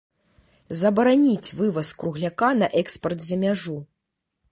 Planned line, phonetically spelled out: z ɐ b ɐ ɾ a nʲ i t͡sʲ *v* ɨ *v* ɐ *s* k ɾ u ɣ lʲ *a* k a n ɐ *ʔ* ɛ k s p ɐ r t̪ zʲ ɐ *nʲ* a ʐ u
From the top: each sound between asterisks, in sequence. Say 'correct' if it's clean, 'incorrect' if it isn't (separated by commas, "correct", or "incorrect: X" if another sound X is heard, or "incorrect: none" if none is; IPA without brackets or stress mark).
correct, correct, correct, correct, correct, incorrect: mʲ